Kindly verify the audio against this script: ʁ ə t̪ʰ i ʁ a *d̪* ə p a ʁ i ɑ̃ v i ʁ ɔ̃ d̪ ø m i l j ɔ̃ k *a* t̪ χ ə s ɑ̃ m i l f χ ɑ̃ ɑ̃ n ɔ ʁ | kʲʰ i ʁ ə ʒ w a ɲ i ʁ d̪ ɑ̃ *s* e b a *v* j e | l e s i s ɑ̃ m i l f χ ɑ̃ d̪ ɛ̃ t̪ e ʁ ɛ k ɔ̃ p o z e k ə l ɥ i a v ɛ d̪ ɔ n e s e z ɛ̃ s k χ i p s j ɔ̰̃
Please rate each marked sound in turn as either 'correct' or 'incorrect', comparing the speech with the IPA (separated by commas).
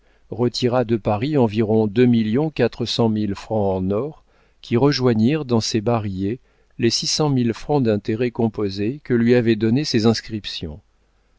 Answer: correct, correct, correct, incorrect